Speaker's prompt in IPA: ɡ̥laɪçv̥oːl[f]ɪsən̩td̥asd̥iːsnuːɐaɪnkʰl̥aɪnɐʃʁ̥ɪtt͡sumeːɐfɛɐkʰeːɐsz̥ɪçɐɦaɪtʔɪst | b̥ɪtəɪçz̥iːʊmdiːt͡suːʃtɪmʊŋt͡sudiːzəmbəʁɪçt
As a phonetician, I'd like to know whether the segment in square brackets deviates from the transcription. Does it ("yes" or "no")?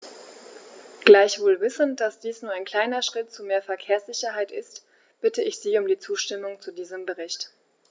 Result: yes